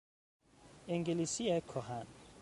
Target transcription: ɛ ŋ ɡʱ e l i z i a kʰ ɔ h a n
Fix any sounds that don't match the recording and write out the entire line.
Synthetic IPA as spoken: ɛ ŋ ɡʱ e l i s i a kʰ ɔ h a n